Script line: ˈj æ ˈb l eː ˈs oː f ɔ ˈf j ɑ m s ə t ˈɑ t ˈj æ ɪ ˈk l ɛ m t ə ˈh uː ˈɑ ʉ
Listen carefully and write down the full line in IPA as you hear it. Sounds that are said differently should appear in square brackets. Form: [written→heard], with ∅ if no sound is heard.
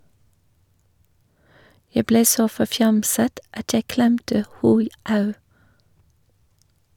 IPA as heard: ˈj æ ˈb l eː ˈs oː f ɔ ˈf j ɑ m s ə t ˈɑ t ˈj æ ɪ ˈk l ɛ m t ə ˈh uː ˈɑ ʉ